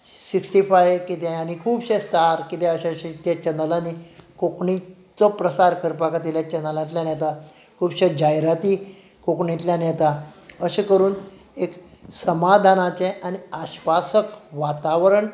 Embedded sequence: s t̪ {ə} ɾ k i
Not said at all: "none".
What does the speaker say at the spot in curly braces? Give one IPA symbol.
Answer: a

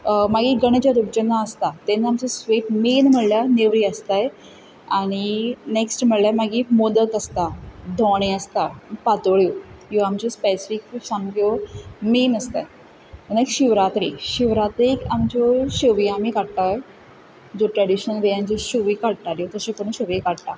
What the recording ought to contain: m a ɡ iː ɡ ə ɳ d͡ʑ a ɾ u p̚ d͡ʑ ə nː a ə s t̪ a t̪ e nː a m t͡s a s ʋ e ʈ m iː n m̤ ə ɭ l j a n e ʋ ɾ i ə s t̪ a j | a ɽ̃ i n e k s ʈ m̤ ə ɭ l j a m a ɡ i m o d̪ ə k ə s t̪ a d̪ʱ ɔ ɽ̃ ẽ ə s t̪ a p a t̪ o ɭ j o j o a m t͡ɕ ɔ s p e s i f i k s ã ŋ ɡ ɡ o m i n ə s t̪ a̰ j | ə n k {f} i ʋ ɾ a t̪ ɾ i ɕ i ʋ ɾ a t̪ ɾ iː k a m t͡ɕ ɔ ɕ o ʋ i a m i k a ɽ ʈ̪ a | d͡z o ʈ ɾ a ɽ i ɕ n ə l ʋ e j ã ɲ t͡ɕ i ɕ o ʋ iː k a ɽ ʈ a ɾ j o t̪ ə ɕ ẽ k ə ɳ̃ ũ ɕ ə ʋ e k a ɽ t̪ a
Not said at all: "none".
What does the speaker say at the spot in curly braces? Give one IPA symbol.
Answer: ɕ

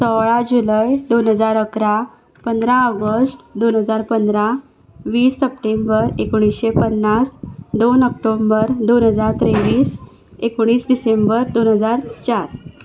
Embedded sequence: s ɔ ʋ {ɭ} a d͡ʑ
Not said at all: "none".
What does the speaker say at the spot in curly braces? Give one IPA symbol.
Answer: ɭ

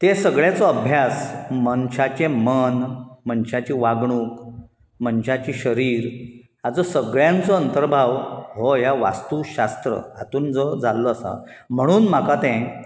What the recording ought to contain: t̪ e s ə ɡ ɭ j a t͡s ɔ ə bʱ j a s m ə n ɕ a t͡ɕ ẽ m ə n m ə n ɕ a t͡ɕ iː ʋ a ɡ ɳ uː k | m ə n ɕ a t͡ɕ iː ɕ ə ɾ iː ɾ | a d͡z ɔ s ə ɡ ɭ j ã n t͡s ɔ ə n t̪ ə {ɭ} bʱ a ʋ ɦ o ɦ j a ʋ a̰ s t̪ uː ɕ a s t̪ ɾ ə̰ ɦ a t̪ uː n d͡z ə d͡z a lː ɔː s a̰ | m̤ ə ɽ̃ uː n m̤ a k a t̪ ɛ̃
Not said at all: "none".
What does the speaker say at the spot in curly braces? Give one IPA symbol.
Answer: ɾ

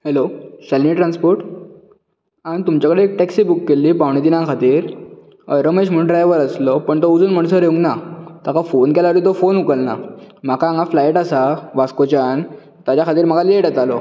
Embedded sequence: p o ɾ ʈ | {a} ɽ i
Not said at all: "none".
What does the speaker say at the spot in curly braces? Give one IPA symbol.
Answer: a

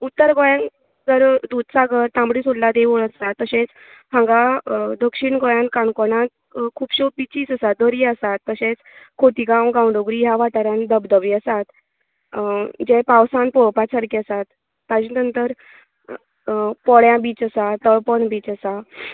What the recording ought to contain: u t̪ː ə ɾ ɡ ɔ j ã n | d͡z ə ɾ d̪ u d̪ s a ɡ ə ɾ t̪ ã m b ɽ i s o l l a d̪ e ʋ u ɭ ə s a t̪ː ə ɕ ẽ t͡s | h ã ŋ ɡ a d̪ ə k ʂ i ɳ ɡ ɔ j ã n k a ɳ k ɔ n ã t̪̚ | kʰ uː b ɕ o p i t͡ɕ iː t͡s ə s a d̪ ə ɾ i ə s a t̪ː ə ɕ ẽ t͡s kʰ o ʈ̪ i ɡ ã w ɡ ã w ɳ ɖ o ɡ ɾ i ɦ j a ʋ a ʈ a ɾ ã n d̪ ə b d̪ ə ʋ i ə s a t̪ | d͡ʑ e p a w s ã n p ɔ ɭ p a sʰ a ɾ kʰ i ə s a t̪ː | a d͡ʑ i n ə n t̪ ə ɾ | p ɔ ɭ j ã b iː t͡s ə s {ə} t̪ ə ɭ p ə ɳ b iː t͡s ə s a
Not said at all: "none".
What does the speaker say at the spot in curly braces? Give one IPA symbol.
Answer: a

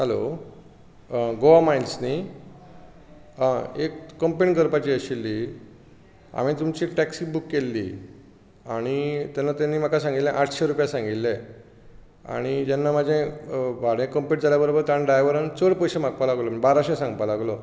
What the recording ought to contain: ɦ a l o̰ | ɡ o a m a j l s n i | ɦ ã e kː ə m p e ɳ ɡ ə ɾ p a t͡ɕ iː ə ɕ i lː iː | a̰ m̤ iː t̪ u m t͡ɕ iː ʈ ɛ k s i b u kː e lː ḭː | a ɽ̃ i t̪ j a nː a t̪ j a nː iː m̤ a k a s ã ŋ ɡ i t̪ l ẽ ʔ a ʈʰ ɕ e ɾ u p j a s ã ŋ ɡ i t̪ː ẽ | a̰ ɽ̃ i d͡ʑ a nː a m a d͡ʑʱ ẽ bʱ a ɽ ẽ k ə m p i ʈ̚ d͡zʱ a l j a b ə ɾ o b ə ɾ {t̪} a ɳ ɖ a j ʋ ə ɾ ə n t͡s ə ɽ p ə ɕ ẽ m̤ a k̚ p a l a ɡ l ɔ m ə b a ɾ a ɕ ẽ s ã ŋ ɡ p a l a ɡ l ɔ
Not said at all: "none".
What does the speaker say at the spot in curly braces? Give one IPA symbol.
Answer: t̪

